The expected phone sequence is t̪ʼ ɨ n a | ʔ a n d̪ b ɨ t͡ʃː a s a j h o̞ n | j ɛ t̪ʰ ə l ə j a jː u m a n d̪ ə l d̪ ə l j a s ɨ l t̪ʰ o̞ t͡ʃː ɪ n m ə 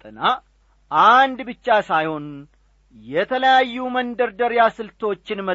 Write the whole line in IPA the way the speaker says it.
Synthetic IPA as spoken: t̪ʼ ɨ n a | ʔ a n d̪ b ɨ t͡ʃː a s a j h o̞ n | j ɛ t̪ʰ ə l ə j a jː u m ə n d̪ ə ɾ d̪ ə ɾ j a s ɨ l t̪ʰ o̞ t͡ʃː ɪ n m ə